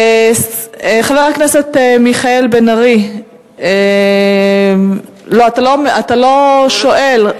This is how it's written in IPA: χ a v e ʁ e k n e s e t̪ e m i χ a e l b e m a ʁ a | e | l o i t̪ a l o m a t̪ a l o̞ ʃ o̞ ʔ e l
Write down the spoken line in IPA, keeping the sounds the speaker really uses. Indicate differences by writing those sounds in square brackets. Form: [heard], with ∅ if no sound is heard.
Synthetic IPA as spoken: χ a v e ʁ [a] k n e s e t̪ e m i χ a e l b e [n] a ʁ [i] | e | l o [a] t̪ a l o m a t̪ a l o̞ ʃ o̞ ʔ e l

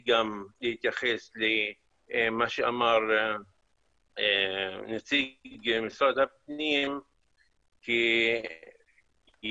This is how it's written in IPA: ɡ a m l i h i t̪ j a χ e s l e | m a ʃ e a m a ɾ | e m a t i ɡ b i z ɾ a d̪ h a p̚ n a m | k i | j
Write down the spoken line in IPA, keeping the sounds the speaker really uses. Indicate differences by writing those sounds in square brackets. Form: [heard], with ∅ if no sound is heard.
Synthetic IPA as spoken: ɡ a m l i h i t̪ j a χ e s l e | m a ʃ e a m a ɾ | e [n] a [t͡s] i ɡ [m] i [s] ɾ a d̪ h a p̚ n [i] m | k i | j

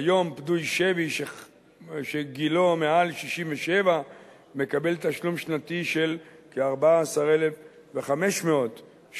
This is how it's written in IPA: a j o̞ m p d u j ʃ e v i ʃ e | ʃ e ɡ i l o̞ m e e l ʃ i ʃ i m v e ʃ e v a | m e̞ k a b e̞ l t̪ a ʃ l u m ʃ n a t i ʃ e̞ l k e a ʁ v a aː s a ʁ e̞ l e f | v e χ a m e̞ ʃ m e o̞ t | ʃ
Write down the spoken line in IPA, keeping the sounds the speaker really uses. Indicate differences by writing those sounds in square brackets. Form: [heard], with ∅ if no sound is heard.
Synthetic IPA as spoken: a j o̞ m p d u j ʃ e v i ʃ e | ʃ e ɡ i l o̞ m e [a] l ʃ i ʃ i m v e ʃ e v a | m e̞ k a b e̞ l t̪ a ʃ l u m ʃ n a t i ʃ e̞ l k e a ʁ [b] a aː s a ʁ e̞ l e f | v e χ a m e̞ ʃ m e o̞ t | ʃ

